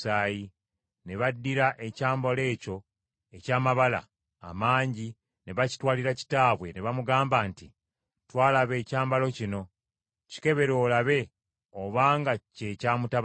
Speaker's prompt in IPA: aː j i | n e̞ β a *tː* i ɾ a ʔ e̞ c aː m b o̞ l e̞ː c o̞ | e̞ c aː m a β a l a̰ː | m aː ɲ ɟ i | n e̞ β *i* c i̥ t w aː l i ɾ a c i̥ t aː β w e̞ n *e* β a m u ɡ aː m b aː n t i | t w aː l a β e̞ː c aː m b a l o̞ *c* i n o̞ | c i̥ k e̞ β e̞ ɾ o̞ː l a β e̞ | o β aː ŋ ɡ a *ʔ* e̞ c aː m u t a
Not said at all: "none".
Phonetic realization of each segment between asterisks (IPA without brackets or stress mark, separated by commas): dː, a, e, c, c